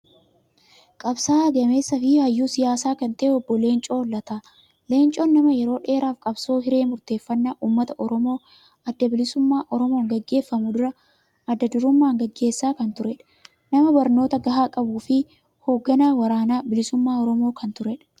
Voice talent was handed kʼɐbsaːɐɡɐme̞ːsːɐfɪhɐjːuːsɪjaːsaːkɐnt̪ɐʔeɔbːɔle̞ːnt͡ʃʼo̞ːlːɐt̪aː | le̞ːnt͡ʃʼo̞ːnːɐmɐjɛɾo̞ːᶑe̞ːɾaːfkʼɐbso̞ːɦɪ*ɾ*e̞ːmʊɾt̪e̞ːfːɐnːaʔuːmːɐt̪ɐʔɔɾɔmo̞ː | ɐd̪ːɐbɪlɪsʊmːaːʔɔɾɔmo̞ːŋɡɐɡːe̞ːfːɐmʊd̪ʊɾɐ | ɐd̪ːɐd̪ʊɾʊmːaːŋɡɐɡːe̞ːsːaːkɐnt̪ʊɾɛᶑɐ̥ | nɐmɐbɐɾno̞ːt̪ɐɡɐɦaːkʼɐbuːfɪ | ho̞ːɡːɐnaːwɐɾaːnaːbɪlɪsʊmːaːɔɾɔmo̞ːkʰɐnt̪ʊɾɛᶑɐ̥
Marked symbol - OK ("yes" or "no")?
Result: yes